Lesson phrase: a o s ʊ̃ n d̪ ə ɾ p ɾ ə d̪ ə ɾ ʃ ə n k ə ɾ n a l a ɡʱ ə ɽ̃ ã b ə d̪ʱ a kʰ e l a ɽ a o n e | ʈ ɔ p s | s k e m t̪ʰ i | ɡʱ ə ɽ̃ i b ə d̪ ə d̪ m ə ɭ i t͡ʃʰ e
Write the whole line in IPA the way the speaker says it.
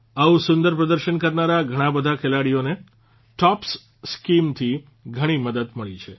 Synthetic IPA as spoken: a u s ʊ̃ n d̪ ə ɾ p ɾ ə d̪ ə ɾ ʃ ə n k ə ɾ n a ɾ a ɡʱ ə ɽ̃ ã b ə d̪ʱ a kʰ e l a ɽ i o n e | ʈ ɔ p s | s k i m t̪ʰ i | ɡʱ ə ɽ̃ i m ə d̪ ə d̪ m ə ɭ i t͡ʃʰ e